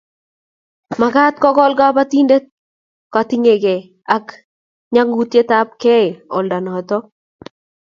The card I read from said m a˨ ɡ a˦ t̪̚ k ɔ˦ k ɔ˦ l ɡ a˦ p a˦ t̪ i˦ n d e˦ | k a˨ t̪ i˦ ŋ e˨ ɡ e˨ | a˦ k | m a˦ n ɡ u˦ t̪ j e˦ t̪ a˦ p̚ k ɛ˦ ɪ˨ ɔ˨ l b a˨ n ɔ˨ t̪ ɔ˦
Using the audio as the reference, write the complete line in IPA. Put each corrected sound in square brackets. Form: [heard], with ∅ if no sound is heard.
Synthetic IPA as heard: m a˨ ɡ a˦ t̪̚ k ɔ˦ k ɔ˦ l ɡ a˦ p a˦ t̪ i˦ n d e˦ | k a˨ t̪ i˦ ŋ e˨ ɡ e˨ | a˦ k | [ɲ] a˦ [ŋ] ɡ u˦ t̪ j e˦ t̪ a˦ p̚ k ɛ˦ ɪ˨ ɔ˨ l [d] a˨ n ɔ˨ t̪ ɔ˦

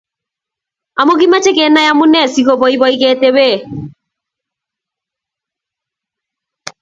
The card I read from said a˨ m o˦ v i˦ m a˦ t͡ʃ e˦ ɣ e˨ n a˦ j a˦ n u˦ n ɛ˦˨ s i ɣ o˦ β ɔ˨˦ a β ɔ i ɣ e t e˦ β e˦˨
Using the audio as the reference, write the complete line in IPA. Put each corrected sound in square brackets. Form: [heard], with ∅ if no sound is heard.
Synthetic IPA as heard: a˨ m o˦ [ɣ] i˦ m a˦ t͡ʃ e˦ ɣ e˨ n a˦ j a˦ [m] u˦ n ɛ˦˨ s i ɣ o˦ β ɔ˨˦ [i] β ɔ i ɣ e t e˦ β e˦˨

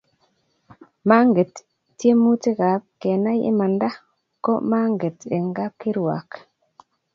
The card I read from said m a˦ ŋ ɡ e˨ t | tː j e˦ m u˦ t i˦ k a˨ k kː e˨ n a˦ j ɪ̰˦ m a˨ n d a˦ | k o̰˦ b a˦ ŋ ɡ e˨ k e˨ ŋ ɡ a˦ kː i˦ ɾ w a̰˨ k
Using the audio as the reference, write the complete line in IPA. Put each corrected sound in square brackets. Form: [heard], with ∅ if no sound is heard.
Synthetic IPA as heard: m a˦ ŋ ɡ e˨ t | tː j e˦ m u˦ t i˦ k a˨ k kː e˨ n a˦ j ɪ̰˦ m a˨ n d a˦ | k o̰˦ [m] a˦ ŋ ɡ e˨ [t] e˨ ŋ ɡ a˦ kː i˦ ɾ w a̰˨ k

